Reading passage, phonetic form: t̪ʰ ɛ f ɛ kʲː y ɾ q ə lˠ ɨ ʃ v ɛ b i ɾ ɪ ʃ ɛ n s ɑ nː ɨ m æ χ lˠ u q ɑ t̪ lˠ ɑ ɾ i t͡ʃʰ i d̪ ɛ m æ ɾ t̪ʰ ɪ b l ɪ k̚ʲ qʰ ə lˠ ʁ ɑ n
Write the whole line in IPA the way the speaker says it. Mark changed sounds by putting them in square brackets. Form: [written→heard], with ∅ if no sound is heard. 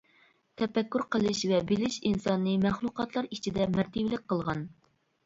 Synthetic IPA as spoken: t̪ʰ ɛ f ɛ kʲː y ɾ q ə lˠ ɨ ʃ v ɛ b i [ɾ→l] ɪ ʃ [ɛ→i] n s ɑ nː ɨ m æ χ lˠ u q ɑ t̪ lˠ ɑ ɾ i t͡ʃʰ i d̪ ɛ m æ ɾ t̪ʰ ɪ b l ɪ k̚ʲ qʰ ə lˠ ʁ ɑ n